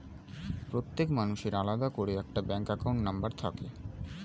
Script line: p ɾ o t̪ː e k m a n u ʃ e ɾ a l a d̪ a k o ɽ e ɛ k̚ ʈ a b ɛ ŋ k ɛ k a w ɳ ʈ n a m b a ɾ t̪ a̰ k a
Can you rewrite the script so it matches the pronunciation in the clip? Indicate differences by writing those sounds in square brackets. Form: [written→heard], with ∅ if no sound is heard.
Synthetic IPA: p ɾ o t̪ː e k m a n u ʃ e ɾ a l a d̪ a k o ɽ e ɛ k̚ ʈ a b ɛ ŋ k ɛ k a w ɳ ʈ n a m b a ɾ [t̪→t̪ʰ] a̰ k [a→e]